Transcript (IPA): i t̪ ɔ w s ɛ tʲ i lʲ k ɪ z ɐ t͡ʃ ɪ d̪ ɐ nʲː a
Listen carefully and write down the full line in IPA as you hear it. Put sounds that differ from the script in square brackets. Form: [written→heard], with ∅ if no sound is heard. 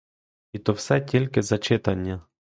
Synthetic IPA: i t̪ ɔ w s ɛ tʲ i lʲ k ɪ z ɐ t͡ʃ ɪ [d̪→t̪] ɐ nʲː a